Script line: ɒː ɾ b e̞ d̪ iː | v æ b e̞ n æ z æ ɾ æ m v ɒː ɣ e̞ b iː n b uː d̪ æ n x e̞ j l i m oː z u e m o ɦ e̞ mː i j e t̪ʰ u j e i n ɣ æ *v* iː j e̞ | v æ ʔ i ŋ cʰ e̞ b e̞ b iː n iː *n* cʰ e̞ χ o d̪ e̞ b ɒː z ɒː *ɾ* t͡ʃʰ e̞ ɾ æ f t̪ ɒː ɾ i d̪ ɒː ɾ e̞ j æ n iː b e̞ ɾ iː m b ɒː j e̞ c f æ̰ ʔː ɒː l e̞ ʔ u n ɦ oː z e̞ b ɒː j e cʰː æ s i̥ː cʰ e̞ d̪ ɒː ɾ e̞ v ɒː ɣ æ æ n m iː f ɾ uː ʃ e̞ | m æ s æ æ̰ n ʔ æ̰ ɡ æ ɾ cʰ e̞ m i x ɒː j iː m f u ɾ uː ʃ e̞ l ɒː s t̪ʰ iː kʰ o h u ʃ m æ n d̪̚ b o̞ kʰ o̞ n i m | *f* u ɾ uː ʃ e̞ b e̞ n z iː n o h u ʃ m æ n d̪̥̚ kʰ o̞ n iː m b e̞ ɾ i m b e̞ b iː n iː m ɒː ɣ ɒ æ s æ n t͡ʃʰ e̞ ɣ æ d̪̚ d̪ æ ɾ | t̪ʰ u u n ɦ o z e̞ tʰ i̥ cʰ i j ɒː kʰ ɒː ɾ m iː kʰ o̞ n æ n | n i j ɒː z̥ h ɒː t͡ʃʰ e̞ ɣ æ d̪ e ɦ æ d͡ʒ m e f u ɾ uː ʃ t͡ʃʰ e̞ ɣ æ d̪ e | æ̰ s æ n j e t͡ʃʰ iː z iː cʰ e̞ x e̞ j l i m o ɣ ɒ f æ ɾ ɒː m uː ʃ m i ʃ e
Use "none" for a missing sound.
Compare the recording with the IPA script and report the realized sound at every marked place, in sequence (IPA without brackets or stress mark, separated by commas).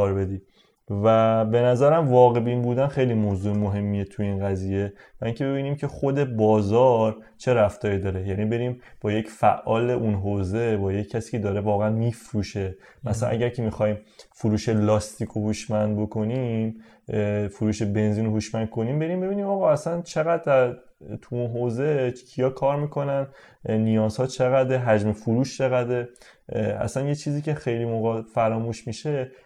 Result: z, m, ɾ, f